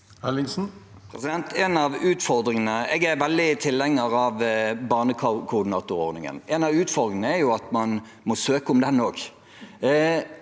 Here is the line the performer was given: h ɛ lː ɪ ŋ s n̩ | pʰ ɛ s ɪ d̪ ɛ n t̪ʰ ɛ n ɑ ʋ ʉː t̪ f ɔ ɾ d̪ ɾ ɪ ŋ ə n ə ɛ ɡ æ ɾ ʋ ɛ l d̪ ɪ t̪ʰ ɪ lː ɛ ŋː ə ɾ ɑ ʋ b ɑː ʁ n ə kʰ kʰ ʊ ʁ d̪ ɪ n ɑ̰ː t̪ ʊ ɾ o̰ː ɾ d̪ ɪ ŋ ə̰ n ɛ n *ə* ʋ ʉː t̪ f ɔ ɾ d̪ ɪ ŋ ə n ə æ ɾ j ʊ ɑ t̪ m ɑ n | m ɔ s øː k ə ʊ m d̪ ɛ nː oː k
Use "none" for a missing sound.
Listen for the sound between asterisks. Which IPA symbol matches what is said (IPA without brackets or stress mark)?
ɑ